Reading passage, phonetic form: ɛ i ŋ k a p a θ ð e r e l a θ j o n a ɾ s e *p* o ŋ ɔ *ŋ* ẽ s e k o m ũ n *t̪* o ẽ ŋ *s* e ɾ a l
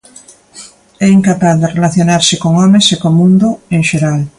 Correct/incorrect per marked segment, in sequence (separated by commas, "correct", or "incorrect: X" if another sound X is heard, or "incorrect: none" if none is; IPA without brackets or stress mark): incorrect: k, incorrect: m, incorrect: d̪, incorrect: ʃ